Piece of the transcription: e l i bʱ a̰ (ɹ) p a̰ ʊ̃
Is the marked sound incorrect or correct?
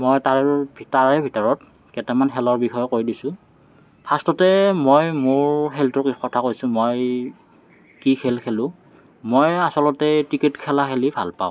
incorrect